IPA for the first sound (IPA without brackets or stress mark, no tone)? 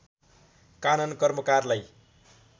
k